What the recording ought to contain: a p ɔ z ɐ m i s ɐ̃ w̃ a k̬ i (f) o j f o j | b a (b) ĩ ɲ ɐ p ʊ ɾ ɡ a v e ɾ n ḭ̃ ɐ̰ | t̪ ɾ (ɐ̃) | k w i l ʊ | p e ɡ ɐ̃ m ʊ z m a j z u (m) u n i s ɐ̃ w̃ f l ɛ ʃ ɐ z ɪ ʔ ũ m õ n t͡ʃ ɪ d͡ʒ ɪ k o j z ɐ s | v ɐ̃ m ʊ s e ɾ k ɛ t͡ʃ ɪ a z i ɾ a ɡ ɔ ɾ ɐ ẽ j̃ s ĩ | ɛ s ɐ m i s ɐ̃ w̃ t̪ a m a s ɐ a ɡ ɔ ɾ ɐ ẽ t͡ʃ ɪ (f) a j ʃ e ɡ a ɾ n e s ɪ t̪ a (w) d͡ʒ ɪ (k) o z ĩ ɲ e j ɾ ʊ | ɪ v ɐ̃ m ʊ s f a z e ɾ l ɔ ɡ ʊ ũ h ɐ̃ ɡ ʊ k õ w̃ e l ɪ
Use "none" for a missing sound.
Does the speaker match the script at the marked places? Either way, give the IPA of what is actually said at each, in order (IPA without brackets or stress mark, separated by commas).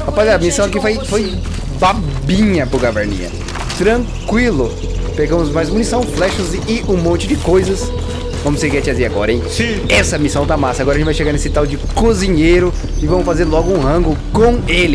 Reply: f, b, ɐ̃, m, v, w, k